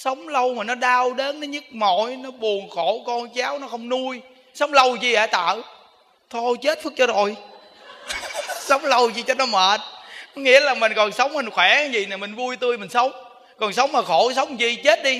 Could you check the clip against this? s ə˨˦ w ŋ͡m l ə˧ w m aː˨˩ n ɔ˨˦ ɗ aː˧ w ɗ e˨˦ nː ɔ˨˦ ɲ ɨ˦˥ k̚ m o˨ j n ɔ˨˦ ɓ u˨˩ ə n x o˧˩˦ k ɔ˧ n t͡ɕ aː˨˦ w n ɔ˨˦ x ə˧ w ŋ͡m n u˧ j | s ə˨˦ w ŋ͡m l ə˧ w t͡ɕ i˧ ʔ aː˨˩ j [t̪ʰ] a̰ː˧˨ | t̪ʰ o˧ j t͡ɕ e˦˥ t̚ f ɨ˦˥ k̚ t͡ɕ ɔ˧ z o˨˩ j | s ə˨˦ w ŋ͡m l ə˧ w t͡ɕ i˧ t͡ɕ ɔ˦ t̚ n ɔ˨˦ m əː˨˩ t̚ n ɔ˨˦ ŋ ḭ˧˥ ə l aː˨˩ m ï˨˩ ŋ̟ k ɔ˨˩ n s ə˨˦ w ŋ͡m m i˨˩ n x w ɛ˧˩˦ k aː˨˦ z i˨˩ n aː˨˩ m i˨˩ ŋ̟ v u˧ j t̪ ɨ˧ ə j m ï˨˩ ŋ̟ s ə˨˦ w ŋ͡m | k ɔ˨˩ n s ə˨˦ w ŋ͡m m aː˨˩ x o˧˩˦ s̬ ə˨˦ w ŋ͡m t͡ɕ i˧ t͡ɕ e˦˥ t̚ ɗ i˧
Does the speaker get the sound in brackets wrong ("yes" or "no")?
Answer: yes